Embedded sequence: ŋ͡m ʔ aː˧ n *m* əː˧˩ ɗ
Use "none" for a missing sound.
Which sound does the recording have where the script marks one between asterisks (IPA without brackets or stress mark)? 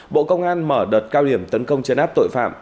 m